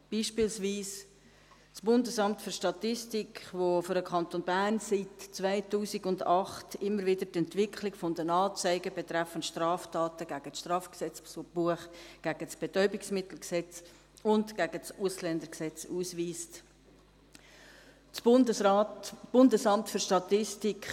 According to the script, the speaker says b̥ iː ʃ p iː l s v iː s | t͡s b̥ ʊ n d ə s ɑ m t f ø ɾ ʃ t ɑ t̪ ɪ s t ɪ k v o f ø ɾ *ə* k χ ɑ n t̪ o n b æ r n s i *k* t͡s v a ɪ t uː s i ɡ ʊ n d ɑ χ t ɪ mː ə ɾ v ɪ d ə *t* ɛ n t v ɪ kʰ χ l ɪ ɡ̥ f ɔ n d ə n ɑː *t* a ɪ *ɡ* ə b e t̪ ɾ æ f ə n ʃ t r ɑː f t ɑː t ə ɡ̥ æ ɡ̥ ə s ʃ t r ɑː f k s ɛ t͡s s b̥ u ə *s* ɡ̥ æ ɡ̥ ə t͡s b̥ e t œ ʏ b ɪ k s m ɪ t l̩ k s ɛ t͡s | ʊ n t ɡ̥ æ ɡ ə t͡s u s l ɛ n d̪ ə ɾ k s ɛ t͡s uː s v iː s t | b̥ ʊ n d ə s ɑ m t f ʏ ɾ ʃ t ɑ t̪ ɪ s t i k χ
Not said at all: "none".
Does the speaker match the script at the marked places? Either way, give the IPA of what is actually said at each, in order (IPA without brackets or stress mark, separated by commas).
ə, t, t, t͡s, ɡ, χ